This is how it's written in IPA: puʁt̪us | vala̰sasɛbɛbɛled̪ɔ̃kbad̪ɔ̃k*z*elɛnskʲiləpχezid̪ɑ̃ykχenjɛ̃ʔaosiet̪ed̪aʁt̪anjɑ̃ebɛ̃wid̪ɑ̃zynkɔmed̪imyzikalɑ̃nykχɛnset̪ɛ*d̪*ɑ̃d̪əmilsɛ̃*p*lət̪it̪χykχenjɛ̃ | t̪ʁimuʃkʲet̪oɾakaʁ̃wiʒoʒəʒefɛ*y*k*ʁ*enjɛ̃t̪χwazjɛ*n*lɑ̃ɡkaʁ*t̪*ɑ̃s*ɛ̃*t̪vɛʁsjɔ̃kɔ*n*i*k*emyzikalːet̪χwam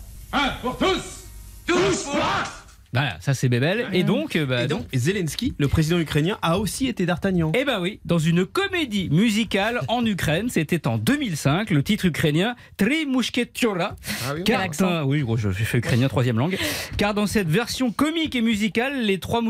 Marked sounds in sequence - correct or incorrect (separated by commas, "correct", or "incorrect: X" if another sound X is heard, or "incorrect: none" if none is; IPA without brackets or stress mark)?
correct, incorrect: t̪, incorrect: k, correct, incorrect: χ, incorrect: m, incorrect: d̪, incorrect: ɛ, incorrect: m, correct